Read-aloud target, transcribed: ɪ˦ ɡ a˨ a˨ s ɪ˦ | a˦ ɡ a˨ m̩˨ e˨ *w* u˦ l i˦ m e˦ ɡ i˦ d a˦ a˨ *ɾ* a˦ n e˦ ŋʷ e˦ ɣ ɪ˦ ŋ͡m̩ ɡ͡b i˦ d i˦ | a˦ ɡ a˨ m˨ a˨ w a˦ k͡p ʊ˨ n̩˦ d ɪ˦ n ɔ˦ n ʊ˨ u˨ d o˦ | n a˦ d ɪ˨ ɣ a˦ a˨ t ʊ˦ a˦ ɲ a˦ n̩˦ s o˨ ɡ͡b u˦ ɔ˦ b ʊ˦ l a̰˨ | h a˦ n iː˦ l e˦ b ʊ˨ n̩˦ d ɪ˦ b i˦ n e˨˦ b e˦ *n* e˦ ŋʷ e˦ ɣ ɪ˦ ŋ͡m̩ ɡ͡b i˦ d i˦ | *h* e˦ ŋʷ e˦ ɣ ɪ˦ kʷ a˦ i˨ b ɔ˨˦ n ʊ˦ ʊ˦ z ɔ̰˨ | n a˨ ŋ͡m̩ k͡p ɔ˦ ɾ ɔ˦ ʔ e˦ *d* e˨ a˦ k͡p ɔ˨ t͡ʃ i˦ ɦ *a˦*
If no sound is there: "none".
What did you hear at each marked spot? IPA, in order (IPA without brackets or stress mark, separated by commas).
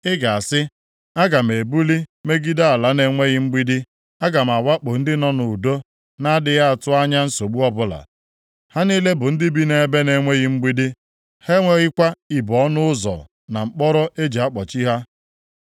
b, l, n, h, d͡ʒ, a˦